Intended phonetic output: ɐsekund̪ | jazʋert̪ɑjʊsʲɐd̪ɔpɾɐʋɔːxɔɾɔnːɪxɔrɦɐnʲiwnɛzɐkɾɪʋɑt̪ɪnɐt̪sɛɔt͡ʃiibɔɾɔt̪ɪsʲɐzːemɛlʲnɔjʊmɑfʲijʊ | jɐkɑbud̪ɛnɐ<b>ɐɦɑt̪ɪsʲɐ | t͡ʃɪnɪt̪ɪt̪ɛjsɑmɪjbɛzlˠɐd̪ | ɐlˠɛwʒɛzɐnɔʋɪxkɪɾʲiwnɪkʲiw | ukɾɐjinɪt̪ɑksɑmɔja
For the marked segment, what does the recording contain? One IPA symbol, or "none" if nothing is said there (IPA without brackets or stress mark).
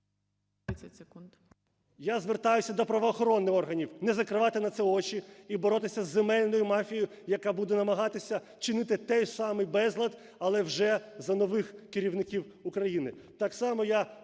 m